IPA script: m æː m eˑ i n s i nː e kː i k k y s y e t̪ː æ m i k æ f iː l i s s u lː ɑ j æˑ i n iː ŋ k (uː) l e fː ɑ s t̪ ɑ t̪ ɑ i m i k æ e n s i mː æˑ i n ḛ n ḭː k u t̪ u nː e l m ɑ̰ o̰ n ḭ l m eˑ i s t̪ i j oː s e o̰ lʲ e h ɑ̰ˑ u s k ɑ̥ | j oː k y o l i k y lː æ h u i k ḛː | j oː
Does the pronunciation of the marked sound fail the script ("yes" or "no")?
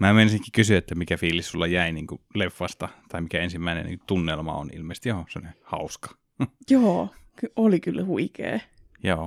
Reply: yes